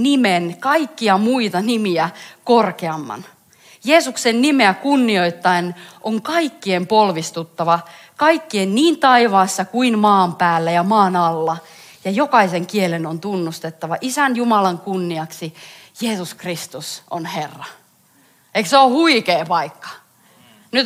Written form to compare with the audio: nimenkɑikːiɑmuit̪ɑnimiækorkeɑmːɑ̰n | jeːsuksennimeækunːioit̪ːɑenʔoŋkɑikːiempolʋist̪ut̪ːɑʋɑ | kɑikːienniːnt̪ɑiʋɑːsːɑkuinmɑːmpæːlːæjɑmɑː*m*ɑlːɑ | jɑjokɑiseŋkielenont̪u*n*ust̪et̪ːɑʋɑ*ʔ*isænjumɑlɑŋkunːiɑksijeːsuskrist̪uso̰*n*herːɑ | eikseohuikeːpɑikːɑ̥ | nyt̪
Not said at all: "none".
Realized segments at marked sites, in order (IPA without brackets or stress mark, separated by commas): n, nː, ʔ, n